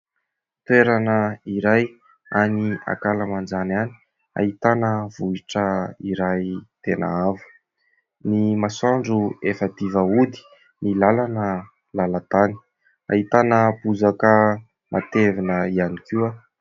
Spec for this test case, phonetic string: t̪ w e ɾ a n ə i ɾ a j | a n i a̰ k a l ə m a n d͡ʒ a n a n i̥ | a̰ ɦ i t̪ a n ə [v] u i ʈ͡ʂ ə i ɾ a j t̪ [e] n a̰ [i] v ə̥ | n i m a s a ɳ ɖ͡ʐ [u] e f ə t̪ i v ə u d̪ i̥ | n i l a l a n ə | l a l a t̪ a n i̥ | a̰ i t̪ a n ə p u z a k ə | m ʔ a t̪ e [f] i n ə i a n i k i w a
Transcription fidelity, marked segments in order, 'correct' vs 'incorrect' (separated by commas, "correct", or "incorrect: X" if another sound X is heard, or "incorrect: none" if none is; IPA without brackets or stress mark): correct, correct, incorrect: a, correct, incorrect: v